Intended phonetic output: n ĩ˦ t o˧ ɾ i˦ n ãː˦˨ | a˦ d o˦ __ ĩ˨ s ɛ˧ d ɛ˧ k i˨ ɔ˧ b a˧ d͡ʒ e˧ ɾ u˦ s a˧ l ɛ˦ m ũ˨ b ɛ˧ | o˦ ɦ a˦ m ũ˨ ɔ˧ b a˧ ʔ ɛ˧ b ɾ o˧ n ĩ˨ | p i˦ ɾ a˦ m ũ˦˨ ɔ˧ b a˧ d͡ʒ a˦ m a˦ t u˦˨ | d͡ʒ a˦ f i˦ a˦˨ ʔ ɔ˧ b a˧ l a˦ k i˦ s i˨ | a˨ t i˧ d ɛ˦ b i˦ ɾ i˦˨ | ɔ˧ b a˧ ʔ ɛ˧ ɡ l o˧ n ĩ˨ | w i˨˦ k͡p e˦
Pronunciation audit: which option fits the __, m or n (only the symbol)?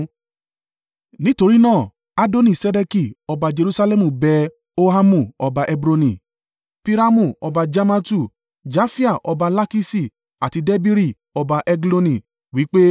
n